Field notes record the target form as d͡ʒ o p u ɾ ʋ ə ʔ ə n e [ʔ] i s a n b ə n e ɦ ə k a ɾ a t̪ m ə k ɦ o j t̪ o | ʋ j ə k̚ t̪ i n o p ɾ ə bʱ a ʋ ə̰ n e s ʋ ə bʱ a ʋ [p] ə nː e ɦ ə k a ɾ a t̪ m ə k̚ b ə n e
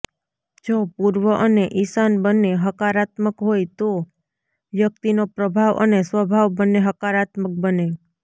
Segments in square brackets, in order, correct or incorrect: correct, incorrect

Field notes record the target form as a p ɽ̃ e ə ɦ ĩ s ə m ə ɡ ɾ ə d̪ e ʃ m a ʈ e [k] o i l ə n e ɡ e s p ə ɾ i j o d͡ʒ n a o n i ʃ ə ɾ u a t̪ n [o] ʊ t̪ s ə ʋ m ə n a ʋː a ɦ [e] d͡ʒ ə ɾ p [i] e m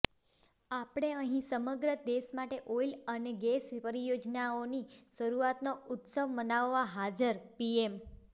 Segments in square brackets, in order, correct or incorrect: incorrect, correct, incorrect, correct

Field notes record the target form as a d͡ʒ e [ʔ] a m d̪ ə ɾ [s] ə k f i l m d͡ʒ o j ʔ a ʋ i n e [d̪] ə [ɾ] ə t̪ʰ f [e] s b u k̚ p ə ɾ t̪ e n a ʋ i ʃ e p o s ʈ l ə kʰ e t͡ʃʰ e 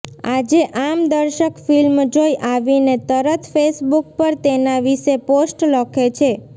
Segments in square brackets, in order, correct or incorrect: correct, incorrect, incorrect, correct, correct

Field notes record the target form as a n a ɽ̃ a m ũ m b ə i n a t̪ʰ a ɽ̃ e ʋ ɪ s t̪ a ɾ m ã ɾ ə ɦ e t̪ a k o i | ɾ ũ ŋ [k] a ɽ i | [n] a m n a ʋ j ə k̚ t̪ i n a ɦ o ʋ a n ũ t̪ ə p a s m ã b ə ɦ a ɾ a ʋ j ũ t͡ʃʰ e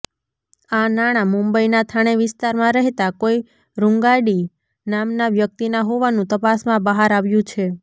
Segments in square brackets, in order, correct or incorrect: incorrect, correct

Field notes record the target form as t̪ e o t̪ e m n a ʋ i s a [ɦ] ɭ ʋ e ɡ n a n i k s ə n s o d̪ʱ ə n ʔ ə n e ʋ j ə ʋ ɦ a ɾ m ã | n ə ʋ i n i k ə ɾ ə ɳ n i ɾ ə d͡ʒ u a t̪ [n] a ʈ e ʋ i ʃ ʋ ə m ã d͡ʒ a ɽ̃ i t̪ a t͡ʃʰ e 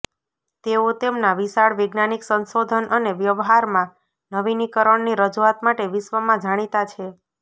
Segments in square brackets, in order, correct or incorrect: incorrect, incorrect

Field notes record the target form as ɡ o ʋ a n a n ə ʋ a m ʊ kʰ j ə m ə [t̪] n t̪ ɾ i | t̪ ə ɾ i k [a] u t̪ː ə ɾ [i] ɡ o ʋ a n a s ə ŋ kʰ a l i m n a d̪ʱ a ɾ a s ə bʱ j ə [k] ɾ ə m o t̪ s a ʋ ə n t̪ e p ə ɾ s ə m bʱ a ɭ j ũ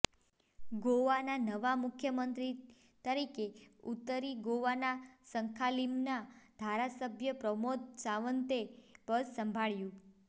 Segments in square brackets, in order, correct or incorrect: incorrect, incorrect, correct, incorrect

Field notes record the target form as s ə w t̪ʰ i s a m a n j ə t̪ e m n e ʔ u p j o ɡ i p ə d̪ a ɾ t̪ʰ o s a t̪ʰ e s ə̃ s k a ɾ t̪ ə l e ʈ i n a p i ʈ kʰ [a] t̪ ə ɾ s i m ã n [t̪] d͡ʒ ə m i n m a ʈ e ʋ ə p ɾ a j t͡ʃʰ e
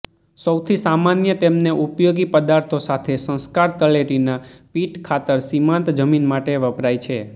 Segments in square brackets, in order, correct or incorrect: correct, correct

